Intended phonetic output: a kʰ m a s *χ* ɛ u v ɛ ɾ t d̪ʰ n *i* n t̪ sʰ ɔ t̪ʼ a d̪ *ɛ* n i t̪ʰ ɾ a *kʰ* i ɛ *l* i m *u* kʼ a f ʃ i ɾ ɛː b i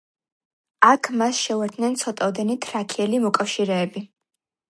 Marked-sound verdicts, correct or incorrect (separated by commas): incorrect, incorrect, correct, correct, correct, incorrect